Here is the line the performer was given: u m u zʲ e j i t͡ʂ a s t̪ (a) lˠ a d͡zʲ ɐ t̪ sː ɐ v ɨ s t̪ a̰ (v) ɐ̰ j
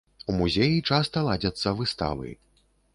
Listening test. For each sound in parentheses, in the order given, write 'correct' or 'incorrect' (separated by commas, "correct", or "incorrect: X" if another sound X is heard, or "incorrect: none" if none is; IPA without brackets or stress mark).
incorrect: ɐ, correct